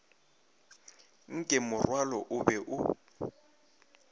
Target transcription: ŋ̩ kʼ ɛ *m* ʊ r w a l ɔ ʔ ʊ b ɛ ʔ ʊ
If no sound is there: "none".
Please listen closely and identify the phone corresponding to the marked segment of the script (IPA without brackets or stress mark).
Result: m